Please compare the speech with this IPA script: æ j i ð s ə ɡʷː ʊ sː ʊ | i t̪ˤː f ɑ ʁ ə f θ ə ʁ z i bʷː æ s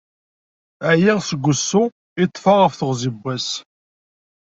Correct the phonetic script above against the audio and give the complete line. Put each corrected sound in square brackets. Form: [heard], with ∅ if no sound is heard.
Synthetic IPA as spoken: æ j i [ʁ] s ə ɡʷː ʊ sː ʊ | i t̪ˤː f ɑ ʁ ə f θ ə ʁ z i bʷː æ s